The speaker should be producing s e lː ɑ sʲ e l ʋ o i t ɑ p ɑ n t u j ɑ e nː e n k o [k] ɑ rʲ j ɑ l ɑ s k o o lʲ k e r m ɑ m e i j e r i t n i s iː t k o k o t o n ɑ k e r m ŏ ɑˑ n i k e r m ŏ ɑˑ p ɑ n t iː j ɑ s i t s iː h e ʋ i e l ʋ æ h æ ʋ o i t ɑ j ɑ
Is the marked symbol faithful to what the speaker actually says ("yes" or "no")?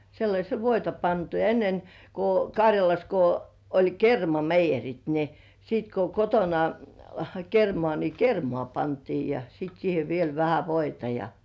yes